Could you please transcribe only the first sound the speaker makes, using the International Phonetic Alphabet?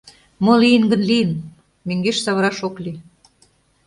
m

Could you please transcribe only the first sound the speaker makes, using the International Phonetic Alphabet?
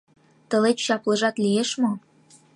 t̪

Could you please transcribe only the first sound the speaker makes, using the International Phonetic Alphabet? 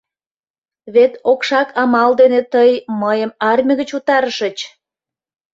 β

